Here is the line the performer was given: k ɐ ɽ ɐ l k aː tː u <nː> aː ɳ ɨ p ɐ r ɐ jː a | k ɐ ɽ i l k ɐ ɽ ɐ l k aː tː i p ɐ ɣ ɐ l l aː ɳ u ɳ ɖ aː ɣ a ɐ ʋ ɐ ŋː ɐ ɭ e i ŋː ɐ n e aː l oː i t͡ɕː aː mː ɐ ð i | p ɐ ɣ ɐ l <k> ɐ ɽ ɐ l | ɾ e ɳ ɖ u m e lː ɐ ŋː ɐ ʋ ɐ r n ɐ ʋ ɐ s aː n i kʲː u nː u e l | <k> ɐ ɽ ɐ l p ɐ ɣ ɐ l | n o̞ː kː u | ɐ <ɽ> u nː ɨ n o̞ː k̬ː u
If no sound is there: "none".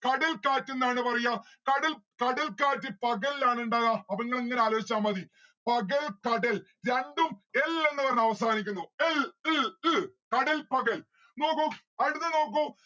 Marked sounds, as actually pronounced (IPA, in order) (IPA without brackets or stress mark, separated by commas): nː, k, k, ɽ